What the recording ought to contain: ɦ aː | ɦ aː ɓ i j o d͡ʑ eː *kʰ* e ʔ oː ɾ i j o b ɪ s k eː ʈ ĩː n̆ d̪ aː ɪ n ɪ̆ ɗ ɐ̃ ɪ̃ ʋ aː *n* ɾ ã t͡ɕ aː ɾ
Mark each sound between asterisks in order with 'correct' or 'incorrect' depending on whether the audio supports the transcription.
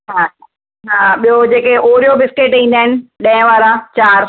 incorrect, incorrect

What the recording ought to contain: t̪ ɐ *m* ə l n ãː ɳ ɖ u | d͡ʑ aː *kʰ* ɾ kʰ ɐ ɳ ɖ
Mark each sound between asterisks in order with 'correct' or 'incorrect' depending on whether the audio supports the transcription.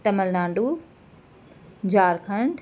correct, incorrect

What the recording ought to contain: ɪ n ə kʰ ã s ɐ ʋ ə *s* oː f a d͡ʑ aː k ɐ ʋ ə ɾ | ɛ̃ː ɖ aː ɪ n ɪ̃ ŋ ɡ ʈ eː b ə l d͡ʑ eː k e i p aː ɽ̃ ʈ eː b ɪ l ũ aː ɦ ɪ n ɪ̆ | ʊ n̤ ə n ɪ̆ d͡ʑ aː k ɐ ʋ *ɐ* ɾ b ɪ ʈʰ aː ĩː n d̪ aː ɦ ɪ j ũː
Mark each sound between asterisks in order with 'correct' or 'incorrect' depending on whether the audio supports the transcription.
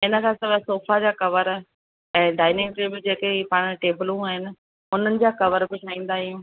correct, incorrect

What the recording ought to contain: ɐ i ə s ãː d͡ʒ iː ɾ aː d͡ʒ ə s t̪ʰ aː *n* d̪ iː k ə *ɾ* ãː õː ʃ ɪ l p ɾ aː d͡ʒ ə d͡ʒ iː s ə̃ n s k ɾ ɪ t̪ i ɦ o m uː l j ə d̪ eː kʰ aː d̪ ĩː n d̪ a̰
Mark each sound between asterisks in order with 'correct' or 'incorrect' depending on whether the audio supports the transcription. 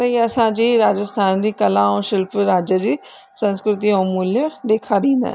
correct, incorrect

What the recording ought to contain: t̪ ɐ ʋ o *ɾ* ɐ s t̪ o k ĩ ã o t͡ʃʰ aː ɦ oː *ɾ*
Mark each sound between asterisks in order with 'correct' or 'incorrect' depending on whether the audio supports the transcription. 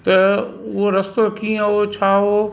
correct, incorrect

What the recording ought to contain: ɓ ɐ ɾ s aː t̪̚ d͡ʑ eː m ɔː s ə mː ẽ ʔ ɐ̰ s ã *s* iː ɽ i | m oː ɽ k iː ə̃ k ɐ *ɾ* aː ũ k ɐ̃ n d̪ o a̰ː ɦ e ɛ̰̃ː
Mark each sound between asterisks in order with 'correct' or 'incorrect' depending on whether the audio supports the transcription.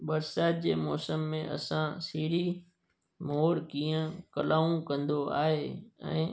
correct, incorrect

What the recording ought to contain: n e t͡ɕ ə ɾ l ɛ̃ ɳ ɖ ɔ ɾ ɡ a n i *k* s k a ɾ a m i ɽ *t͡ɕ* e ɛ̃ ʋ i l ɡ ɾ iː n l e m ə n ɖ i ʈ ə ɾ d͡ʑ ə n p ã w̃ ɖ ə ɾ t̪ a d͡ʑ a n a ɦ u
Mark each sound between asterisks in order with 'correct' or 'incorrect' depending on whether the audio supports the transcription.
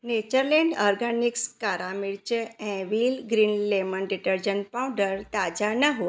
correct, correct

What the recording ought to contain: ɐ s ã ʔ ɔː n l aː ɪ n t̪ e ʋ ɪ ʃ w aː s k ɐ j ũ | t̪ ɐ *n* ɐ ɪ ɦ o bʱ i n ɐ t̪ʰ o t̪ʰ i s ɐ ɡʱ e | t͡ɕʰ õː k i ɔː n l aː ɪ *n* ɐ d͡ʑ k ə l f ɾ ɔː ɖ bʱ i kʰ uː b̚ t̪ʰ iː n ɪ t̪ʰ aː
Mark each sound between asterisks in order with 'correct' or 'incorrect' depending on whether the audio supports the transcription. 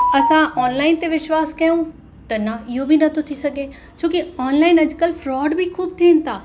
correct, correct

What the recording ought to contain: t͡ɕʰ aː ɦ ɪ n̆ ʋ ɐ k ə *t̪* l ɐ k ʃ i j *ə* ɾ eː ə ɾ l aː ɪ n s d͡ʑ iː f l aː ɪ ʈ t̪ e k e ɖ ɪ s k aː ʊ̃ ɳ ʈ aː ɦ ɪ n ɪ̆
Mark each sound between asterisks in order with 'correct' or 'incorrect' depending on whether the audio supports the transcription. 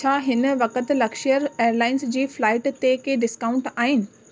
correct, correct

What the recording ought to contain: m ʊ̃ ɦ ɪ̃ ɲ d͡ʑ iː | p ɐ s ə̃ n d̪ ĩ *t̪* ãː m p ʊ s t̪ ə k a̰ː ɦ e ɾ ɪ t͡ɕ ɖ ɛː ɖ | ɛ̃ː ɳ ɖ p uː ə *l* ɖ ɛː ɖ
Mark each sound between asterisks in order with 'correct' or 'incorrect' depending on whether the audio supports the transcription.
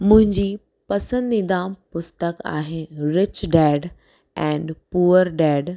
incorrect, incorrect

